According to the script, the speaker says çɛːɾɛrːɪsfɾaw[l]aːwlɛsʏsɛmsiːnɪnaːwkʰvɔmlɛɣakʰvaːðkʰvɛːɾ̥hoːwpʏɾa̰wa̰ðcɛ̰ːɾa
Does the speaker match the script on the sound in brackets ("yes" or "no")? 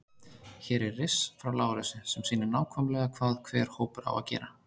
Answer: yes